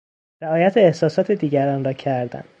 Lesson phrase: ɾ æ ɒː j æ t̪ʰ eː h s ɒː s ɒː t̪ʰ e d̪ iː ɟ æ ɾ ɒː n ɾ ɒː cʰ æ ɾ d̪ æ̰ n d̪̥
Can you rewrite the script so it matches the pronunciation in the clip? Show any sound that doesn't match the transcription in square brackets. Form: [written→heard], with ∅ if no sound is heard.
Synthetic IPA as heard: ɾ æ ɒː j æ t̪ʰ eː h s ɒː s ɒː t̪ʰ e d̪ iː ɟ æ ɾ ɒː n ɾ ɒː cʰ æ ɾ d̪ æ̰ n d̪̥